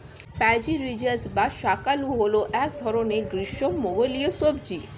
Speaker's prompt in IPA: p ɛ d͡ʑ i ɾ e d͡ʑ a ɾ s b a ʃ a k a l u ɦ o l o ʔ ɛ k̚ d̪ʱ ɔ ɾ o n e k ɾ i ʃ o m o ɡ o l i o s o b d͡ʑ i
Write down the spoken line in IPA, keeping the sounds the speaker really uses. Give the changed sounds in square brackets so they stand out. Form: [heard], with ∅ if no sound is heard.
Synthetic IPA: p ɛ d͡ʑ i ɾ [i] d͡ʑ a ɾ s b a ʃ a k a l u ɦ o l o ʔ ɛ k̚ d̪ʱ ɔ ɾ o n e [ɡ] ɾ i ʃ o m o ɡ o l i o s o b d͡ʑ i